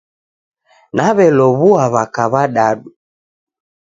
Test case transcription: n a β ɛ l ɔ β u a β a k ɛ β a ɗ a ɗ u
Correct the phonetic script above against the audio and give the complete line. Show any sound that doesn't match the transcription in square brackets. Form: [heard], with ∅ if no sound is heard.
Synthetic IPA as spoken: n a β ɛ l ɔ β u a β a k [a] β a ɗ a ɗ u